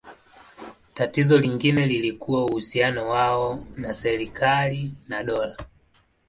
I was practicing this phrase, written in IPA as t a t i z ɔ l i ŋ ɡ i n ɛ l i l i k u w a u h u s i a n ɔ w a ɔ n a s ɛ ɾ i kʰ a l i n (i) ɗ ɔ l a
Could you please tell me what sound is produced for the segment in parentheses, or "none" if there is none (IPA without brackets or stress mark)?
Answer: a